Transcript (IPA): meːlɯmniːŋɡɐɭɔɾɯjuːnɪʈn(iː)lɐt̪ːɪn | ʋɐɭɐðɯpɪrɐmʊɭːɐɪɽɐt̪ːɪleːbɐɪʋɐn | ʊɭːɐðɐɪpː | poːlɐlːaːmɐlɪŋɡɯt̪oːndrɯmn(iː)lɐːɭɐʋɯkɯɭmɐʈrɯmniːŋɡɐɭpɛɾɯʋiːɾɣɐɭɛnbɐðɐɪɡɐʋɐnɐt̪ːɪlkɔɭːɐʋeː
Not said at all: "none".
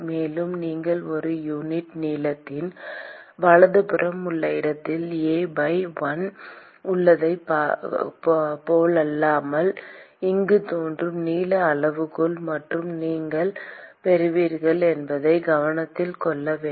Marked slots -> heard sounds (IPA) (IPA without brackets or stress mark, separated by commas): iː, iː